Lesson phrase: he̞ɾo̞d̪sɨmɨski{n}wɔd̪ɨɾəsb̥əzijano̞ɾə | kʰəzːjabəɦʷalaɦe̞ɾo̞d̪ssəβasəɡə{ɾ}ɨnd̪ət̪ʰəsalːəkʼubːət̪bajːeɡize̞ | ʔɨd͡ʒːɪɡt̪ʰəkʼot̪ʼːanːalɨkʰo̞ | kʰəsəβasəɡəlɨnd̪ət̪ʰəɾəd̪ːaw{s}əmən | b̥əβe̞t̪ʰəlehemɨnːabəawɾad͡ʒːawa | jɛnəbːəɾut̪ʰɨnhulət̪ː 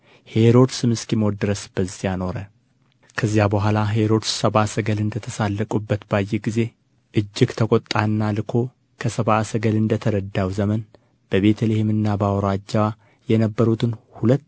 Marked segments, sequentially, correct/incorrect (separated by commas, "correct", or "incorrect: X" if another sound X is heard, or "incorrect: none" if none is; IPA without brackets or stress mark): incorrect: m, incorrect: l, incorrect: z